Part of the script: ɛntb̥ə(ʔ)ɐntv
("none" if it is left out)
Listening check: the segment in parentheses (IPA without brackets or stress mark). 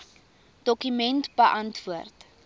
ʔ